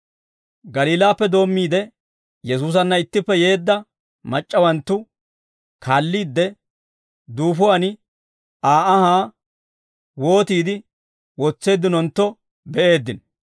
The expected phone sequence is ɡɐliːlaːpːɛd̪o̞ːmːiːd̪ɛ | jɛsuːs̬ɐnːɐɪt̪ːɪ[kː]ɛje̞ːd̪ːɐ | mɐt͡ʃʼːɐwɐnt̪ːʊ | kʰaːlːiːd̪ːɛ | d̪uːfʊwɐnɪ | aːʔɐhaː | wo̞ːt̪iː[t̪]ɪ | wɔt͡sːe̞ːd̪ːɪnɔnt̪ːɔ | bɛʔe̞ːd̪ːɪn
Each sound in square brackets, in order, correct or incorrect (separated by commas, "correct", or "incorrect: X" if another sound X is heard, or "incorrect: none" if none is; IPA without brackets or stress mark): incorrect: pː, incorrect: d̪